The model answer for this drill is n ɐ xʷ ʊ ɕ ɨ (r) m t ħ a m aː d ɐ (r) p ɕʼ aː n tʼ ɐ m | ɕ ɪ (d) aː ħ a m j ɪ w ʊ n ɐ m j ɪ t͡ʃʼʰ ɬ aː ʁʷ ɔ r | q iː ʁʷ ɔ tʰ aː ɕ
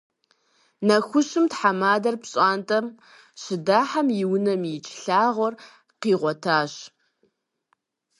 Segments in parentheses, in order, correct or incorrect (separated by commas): incorrect, correct, correct